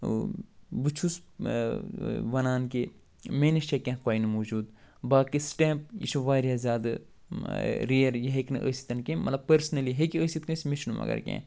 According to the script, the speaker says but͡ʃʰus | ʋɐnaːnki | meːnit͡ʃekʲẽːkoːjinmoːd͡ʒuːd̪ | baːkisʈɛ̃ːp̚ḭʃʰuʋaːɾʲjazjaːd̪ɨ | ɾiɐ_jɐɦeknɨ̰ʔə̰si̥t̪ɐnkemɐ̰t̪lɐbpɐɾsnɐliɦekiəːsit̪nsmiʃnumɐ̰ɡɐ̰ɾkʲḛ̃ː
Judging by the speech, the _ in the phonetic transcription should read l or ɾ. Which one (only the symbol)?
ɾ